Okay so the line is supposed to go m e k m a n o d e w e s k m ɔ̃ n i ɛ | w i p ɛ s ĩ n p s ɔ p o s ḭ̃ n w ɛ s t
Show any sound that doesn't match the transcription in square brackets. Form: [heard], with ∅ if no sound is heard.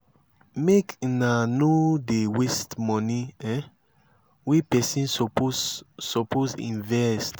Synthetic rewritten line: m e k [n] a n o d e w e s [t] m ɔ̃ n i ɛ | w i p ɛ s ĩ n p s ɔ p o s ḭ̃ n [v] ɛ s t